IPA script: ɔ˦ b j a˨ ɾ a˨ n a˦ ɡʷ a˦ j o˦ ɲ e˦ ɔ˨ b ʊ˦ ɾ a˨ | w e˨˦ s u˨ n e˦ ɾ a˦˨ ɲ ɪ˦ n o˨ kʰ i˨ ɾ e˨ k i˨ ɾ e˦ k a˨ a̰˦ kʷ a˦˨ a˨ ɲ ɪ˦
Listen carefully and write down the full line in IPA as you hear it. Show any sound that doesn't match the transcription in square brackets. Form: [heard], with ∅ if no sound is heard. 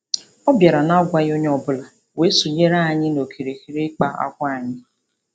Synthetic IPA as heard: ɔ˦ b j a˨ ɾ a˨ n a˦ ɡʷ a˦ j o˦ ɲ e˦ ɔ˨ b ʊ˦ [l] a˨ | w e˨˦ s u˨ [ɲ] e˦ ɾ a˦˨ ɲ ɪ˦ n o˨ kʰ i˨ ɾ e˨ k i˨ ɾ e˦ [k͡p] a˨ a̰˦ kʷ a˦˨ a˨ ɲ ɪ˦